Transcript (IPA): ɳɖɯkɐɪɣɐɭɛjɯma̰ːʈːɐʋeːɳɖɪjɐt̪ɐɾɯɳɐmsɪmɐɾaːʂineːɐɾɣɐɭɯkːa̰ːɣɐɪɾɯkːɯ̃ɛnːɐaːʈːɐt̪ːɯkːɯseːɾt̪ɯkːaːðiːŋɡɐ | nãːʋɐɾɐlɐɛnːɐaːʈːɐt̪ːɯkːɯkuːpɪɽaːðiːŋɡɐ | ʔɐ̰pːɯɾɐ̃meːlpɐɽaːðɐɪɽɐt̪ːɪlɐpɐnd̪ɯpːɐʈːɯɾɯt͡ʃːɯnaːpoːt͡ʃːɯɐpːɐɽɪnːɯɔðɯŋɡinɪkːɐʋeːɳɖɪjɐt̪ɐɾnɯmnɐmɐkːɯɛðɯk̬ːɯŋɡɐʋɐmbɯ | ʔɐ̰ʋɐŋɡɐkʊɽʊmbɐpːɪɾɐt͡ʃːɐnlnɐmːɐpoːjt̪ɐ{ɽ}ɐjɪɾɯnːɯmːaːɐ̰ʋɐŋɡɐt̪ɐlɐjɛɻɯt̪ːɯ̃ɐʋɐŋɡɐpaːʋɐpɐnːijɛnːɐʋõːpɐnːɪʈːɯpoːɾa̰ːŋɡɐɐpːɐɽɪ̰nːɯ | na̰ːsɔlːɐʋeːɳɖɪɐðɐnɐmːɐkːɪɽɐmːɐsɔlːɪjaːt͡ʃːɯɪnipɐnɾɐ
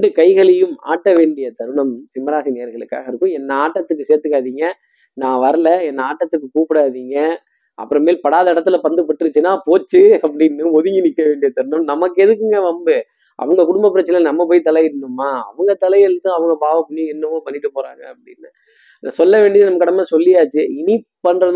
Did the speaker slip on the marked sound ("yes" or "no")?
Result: yes